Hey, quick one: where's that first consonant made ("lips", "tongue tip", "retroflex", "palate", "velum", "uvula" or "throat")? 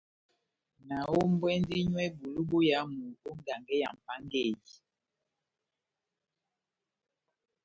tongue tip